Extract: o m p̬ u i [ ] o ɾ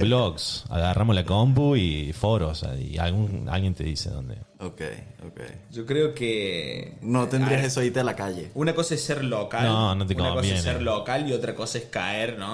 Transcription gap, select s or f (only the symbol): f